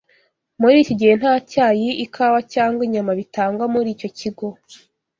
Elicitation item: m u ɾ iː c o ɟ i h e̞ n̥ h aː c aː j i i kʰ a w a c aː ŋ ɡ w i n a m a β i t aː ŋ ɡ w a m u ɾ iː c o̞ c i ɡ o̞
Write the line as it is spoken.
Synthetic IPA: m u ɾ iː c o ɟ i h e̞ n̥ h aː c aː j i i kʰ a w a c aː ŋ ɡ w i ɲ a m a β i t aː ŋ ɡ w a m u ɾ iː c o̞ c i ɡ o̞